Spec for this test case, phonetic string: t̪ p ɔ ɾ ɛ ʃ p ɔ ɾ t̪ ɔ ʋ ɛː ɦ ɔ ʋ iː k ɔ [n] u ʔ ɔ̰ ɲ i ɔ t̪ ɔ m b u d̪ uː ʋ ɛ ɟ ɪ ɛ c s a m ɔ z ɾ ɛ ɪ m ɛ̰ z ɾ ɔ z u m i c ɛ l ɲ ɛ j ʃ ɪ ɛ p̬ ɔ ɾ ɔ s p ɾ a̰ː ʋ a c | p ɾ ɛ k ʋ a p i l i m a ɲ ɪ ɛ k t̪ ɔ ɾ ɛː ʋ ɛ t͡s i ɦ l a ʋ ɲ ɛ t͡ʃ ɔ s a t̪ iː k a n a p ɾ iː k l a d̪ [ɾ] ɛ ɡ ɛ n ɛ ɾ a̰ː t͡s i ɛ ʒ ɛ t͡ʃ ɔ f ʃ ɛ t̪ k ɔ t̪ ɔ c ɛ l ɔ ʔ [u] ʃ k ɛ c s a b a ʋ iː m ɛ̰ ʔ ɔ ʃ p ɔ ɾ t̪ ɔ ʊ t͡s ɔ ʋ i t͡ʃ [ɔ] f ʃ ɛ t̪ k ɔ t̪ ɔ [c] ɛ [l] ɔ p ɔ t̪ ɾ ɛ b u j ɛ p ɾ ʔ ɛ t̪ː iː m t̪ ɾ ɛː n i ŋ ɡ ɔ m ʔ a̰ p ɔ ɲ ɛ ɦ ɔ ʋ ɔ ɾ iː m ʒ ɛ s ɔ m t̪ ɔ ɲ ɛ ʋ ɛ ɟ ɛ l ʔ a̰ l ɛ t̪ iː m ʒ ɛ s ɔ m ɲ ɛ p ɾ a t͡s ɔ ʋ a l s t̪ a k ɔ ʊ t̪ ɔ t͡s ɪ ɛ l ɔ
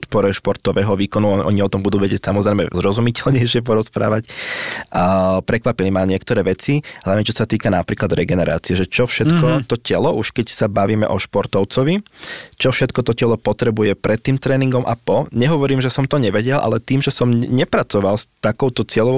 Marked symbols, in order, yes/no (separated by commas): yes, yes, yes, yes, yes, yes